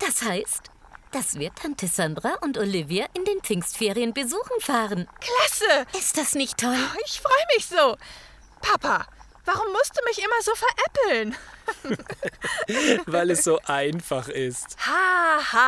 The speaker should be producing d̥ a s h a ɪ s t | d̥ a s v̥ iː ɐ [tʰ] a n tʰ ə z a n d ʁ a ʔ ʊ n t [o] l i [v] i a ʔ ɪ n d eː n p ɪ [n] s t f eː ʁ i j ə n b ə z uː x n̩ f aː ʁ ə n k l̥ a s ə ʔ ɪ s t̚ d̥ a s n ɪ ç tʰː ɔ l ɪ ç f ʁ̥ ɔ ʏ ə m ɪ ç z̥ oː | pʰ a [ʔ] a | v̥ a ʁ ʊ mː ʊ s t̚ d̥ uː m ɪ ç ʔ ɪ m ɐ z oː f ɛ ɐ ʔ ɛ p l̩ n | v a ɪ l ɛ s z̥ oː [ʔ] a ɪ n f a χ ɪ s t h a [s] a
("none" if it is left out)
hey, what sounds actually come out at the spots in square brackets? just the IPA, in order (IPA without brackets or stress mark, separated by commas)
tʰ, o, v, ŋ, p, ʔ, h